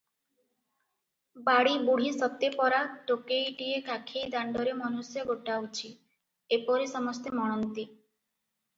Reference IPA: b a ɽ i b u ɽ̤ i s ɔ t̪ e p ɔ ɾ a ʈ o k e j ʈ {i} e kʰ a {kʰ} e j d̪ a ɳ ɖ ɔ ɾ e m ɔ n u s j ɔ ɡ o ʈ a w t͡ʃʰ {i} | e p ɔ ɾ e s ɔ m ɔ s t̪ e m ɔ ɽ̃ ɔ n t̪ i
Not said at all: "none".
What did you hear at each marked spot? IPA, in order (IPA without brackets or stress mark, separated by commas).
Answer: i, kʰ, i